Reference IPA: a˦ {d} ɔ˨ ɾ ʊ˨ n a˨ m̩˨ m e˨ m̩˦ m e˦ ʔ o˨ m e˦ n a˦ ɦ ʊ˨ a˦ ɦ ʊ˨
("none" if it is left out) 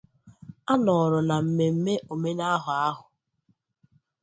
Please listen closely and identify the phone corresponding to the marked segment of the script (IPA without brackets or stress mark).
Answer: n